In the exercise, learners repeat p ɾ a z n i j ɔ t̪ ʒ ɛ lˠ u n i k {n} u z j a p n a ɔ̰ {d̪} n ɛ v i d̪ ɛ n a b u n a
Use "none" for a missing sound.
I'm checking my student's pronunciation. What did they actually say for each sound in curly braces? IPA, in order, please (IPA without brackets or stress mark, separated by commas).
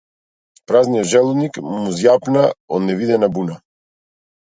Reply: m, d̪